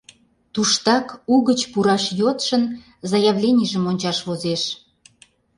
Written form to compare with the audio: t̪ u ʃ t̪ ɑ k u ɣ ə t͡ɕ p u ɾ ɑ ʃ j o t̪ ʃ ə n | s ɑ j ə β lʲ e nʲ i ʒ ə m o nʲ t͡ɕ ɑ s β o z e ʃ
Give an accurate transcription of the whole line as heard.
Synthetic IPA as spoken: t̪ u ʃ t̪ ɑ k u ɣ ə t͡ɕ p u ɾ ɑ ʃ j o t̪ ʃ ə n | z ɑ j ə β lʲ e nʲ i ʒ ə m o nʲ t͡ɕ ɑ ʃ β o z e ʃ